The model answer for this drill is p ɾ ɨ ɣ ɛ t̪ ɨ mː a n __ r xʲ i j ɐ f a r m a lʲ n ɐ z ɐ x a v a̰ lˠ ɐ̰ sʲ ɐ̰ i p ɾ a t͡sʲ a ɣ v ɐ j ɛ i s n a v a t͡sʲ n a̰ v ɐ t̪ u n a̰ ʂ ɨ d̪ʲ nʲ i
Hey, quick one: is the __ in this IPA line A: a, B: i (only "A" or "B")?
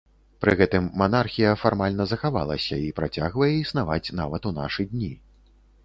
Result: A